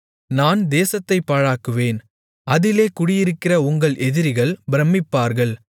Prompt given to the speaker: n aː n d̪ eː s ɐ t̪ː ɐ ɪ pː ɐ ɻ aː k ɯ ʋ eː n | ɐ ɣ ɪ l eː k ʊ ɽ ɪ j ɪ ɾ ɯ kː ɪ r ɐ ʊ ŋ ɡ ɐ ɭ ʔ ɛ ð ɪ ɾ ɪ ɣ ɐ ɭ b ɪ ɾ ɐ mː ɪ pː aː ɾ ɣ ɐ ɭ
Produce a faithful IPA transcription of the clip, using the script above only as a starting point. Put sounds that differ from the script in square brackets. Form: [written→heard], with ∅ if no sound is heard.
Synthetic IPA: n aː n d̪ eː s ɐ t̪ː ɐ ɪ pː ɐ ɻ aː k ɯ ʋ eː n | ɐ [ɣ→ð] ɪ l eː k ʊ ɽ ɪ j ɪ ɾ ɯ kː ɪ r ɐ ʊ ŋ ɡ ɐ ɭ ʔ ɛ ð ɪ ɾ ɪ ɣ ɐ ɭ b ɪ ɾ ɐ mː ɪ pː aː ɾ ɣ ɐ ɭ